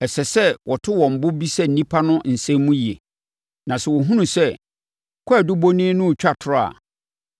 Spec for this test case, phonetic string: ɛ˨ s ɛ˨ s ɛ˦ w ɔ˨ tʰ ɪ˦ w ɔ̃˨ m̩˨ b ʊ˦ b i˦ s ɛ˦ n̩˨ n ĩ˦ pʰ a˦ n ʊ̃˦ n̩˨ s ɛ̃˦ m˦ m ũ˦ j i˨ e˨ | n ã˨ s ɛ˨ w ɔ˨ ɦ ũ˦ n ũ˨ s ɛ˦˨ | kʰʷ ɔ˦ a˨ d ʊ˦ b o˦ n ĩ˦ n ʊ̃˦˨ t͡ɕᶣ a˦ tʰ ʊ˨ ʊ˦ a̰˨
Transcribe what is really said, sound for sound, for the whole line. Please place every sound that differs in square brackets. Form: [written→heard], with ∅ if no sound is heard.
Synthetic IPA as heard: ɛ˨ s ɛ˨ s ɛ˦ w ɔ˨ tʰ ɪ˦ w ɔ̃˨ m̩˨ b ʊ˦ b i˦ s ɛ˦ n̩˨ n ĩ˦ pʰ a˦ n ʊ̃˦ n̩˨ s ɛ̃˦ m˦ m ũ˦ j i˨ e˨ | n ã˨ s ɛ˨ w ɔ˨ ɦ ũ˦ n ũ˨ s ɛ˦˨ | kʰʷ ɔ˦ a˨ d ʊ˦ b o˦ n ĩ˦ n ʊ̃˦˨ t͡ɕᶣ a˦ tʰ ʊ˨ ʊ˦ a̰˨

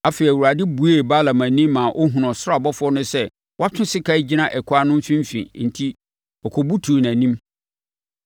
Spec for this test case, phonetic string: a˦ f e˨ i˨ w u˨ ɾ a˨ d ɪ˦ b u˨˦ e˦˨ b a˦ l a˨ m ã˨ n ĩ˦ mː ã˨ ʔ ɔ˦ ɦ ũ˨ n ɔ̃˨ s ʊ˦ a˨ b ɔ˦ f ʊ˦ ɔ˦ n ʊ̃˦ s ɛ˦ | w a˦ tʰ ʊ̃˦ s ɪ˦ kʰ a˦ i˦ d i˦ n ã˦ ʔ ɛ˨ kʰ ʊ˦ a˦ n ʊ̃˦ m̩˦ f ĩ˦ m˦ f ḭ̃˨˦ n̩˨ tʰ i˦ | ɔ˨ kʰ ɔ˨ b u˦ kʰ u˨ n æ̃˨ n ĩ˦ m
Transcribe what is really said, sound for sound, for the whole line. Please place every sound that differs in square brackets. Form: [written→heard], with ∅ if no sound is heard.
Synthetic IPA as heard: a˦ f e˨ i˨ w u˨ ɾ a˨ d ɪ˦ b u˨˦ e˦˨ b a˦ l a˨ m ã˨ n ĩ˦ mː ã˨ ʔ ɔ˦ ɦ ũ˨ n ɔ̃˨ s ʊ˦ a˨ b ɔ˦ f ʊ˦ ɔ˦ n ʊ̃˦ s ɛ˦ | w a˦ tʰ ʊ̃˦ s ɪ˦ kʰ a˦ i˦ [d→d͡ʑ] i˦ n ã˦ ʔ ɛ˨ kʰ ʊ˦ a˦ n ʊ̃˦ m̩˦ f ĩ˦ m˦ f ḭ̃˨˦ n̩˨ tʰ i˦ | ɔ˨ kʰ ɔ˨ b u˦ [kʰ→tʰ] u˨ n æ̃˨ n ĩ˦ m

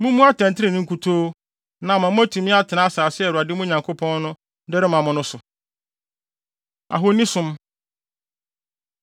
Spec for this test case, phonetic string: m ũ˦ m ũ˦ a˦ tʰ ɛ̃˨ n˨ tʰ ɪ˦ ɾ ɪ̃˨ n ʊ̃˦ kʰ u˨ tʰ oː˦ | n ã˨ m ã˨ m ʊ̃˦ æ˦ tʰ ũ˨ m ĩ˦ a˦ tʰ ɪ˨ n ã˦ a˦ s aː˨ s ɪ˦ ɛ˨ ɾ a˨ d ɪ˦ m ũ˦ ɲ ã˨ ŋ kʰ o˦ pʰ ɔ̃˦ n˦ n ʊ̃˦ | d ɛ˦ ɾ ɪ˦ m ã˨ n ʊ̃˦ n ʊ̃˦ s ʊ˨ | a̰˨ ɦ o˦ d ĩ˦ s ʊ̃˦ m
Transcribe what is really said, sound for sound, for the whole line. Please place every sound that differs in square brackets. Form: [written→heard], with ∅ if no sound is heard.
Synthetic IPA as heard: m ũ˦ m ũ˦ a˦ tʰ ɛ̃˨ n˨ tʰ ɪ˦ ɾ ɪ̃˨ n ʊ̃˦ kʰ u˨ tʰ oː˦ | n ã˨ m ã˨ m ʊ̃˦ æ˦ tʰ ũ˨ m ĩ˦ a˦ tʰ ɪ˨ n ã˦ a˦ s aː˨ s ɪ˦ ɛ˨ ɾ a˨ d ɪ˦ m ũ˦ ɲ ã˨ ŋ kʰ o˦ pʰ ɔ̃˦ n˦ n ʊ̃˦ | d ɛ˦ ɾ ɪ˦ m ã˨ [n→m] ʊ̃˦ n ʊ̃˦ s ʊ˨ | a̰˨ ɦ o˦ [d→n] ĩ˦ s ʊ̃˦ m

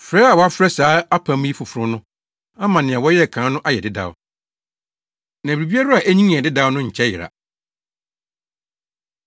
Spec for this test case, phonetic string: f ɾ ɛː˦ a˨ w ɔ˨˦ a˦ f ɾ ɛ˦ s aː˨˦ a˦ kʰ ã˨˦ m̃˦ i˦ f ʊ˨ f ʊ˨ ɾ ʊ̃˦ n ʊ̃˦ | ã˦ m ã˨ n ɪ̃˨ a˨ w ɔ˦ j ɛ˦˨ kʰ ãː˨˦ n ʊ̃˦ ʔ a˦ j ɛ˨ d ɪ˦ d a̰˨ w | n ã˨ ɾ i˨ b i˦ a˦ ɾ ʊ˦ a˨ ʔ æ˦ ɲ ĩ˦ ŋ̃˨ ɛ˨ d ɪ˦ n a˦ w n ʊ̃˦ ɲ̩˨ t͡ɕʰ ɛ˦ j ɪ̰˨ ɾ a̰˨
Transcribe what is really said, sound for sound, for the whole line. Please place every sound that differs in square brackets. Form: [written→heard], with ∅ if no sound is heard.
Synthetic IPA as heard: f ɾ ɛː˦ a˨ w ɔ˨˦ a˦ f ɾ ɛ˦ s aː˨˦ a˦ [kʰ→pʰ] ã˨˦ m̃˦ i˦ f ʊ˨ f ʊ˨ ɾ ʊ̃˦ n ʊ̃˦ | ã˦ m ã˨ n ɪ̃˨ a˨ w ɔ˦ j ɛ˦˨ kʰ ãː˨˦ n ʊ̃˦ ʔ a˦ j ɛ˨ d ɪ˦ d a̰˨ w | n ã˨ ɾ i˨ b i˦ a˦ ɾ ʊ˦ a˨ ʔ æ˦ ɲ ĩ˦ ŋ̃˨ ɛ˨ d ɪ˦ [n→d] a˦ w n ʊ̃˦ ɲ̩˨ t͡ɕʰ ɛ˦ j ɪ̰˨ ɾ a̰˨

